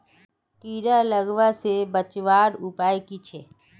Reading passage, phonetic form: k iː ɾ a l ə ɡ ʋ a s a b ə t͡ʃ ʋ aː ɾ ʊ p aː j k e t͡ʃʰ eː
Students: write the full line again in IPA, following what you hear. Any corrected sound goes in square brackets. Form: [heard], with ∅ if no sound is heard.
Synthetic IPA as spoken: k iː ɾ a l ə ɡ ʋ a s [e] b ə t͡ʃ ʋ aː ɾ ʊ p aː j k [i] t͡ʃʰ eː